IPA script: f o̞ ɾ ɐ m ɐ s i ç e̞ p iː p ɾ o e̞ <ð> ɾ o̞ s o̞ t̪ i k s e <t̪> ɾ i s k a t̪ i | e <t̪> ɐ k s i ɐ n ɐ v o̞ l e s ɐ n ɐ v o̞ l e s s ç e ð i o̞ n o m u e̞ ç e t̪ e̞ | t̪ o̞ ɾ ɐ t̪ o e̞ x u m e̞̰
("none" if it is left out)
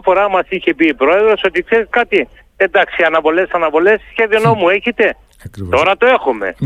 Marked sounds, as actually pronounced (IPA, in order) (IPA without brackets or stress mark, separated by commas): ð, none, d̪